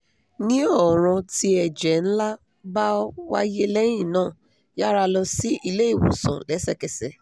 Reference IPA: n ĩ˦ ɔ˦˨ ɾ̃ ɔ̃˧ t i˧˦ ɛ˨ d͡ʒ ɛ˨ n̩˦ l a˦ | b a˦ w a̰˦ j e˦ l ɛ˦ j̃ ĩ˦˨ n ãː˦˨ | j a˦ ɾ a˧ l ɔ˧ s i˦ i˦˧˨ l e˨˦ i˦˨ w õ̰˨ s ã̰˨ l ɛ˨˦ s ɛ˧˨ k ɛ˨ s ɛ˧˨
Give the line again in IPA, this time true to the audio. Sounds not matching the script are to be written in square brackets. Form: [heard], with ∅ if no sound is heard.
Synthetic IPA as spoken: n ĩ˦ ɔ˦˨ ɾ̃ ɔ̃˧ t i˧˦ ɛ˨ d͡ʒ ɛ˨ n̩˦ l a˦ | b a˦ w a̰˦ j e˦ l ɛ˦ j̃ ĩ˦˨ n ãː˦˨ | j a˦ ɾ a˧ l ɔ˧ s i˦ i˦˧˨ l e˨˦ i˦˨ w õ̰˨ s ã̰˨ l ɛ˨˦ s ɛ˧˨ k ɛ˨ s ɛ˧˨